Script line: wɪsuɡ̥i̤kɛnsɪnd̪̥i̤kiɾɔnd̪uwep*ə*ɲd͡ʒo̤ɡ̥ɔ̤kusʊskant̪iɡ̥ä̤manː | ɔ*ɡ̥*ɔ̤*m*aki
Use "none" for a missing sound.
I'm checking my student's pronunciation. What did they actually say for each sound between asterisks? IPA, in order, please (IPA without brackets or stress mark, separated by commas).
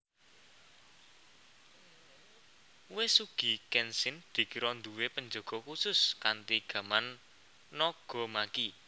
ə, ɡ̥, m